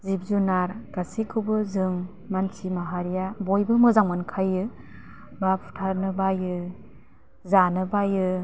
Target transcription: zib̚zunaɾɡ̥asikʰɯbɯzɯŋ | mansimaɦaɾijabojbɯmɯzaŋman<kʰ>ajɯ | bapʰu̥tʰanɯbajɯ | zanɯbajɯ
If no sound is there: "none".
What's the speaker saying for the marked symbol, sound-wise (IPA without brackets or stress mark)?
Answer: kʰ